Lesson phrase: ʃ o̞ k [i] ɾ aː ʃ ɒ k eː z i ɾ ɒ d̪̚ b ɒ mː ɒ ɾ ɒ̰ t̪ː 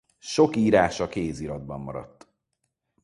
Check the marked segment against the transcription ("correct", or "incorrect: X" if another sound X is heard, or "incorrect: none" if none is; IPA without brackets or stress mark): incorrect: iː